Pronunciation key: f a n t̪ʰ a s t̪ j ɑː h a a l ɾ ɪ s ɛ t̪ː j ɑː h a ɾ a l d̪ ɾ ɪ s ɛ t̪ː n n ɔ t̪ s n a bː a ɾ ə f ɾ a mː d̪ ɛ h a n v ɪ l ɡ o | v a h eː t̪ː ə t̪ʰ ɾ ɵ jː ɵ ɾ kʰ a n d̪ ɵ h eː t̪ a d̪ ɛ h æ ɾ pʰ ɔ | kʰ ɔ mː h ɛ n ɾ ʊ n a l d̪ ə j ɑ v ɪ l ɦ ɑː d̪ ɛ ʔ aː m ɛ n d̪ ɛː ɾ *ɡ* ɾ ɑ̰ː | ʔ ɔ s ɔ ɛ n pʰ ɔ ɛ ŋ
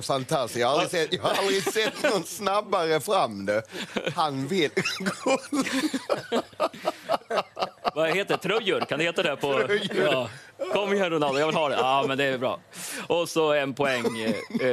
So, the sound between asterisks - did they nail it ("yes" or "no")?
no